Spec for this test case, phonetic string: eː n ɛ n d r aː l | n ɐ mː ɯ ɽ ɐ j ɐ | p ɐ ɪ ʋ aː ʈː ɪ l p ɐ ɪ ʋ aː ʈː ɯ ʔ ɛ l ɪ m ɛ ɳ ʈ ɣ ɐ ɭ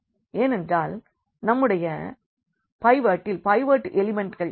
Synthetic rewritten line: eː n ɛ n d r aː l | n ɐ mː ɯ ɽ ɐ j ɐ | p ɐ ɪ ʋ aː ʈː ɪ l p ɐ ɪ ʋ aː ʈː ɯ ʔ ɛ l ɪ m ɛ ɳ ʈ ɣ ɐ ɭ